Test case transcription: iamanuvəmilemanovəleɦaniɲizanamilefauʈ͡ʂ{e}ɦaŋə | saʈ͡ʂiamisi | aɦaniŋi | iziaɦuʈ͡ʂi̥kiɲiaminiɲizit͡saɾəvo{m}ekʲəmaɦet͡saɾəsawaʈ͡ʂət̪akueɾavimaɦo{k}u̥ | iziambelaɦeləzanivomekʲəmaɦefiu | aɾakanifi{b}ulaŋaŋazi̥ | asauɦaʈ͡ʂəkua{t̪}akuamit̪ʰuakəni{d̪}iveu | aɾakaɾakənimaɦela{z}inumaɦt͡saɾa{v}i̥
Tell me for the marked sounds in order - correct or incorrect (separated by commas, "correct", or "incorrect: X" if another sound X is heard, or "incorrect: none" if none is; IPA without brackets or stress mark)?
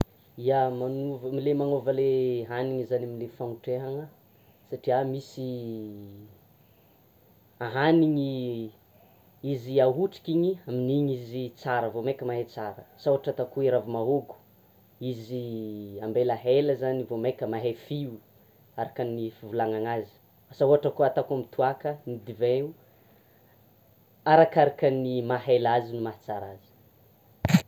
correct, correct, incorrect: ɡ, incorrect: v, correct, correct, correct, incorrect: z